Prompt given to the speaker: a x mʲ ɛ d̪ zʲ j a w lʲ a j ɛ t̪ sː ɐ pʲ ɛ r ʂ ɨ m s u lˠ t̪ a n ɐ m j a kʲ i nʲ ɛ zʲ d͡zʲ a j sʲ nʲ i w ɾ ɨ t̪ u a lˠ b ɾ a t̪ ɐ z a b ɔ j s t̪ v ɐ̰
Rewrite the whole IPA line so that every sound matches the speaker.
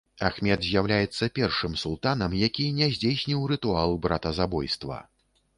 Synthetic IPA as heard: a x mʲ ɛ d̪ zʲ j a w lʲ a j ɛ t̪ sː ɐ pʲ ɛ r ʂ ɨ m s u lˠ t̪ a n ɐ m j a kʲ i nʲ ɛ zʲ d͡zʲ e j sʲ nʲ i w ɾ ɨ t̪ u a lˠ b ɾ a t̪ ɐ z a b ɔ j s t̪ v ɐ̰